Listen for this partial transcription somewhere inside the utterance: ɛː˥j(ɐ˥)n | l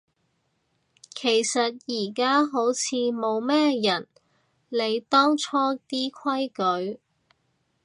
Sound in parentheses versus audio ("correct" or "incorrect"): incorrect